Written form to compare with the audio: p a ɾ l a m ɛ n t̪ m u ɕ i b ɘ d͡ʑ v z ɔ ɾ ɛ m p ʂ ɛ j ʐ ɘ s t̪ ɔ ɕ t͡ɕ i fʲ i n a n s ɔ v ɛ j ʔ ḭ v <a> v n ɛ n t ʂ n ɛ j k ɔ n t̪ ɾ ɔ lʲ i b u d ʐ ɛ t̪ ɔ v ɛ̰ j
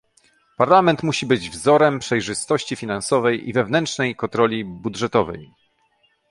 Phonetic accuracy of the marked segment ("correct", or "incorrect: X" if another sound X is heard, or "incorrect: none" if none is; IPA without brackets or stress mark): incorrect: ɛ